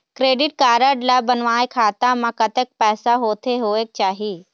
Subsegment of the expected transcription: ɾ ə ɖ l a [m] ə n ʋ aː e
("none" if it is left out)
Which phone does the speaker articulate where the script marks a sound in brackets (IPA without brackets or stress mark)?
b